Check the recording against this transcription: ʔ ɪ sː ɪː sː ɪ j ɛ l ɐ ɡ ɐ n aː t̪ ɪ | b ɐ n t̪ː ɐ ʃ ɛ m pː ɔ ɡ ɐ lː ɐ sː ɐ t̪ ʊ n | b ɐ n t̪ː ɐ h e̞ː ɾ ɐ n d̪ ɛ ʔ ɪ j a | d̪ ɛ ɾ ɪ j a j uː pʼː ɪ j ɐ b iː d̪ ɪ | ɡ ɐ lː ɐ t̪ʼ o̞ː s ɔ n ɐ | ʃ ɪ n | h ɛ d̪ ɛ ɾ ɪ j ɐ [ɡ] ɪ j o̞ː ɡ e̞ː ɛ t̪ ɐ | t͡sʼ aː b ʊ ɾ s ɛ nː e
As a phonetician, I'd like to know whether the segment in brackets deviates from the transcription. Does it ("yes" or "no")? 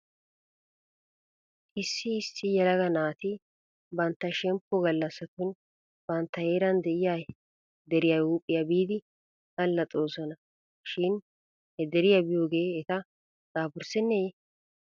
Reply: yes